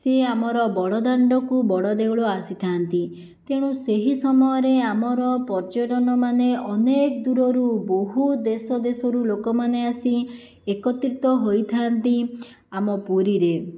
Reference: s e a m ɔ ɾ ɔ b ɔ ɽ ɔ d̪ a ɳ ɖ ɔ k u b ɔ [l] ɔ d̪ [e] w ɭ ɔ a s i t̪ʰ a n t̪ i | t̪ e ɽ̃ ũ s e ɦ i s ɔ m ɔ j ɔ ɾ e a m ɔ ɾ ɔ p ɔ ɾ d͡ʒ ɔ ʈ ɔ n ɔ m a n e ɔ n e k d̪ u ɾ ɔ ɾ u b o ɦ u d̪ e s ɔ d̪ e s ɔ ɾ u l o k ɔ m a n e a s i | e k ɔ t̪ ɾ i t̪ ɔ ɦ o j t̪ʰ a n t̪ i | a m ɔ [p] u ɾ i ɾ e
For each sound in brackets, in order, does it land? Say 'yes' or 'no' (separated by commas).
no, yes, yes